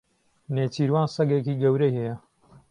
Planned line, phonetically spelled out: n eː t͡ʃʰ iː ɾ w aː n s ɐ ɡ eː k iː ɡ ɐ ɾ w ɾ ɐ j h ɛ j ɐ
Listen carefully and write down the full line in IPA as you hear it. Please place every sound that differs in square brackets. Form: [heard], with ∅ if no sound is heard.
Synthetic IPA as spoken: n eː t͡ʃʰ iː ɾ w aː n s ɐ ɡ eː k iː ɡ ɐ [∅] w ɾ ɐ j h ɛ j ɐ